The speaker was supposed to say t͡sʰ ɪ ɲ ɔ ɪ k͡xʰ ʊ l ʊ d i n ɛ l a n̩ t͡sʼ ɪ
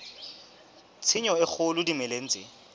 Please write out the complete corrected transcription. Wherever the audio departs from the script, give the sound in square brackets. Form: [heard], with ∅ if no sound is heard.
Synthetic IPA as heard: t͡sʰ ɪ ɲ ɔ ɪ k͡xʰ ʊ l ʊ d i [m] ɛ l [e] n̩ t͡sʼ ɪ